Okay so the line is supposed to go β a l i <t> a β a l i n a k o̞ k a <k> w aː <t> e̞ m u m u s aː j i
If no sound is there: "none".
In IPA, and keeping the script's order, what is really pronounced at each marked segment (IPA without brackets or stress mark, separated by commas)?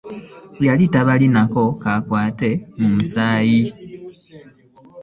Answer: t, k, t